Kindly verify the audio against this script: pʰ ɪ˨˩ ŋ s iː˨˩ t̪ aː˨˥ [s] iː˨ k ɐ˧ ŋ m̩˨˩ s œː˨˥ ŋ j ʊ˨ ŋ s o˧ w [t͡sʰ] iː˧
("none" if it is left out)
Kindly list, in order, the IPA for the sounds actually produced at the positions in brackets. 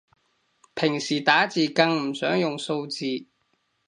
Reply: t͡s, t͡s

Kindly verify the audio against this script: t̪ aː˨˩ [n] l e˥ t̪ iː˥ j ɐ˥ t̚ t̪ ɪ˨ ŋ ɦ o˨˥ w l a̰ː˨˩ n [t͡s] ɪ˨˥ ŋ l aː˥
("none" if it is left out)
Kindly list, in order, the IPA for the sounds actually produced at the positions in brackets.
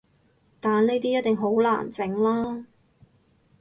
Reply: n, t͡s

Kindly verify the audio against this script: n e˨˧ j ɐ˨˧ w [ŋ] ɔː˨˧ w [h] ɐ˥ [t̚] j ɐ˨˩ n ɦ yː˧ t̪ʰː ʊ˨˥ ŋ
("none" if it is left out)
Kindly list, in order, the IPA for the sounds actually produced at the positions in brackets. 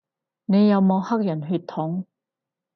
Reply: m, h, k̚

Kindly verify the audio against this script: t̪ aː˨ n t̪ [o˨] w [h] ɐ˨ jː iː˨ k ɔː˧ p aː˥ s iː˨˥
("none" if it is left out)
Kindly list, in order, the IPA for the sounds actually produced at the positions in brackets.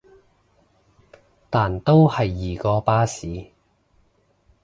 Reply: o˥, h

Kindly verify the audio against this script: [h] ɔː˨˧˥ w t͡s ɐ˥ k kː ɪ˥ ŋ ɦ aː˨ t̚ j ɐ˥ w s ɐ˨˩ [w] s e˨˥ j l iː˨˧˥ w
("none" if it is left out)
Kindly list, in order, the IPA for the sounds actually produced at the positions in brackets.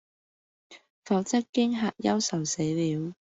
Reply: f, w

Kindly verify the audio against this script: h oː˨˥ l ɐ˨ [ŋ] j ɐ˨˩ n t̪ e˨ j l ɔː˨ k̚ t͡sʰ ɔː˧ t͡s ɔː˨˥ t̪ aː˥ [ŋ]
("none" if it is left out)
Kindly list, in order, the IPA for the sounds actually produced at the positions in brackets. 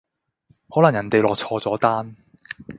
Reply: ŋ, n

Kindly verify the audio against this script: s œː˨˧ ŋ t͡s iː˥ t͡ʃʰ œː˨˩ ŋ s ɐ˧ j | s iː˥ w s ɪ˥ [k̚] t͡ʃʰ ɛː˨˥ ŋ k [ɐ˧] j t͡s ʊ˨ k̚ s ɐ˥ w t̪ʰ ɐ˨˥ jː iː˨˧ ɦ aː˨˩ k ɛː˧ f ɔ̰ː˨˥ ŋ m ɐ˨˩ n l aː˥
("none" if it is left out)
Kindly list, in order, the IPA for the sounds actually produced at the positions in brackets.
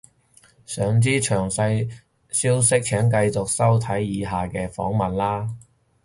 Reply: k̚, ɐ˧

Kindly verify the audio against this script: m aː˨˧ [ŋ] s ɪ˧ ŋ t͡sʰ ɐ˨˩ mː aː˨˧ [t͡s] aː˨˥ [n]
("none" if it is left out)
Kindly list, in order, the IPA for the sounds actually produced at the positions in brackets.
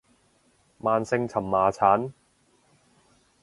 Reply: n, t͡sʰ, n

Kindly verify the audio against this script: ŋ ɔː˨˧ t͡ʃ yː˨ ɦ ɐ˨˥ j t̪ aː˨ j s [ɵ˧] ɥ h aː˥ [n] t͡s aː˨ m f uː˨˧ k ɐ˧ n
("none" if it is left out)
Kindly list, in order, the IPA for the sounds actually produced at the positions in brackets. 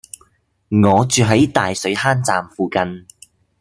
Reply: ɵ˨˥, n

